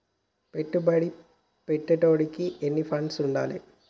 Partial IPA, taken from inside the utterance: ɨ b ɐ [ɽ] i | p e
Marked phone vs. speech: correct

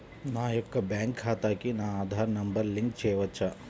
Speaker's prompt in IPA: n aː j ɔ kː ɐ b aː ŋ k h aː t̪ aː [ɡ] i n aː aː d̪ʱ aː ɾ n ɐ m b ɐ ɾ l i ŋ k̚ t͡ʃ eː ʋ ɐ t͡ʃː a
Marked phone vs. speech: incorrect: k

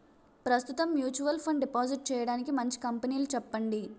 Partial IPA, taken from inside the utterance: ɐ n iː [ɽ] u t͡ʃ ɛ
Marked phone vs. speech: incorrect: l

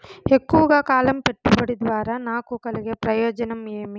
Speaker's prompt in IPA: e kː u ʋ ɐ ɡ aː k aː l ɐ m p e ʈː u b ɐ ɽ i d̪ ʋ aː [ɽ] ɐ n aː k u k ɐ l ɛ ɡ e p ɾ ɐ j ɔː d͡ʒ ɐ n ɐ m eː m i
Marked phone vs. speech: incorrect: ɾ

